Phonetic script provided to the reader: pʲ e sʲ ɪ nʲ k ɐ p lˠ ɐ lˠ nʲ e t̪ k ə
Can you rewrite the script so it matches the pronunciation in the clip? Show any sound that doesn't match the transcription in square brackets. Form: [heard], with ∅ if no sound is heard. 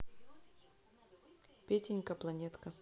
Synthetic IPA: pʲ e [tʲ] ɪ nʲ k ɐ p lˠ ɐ [∅] nʲ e t̪ k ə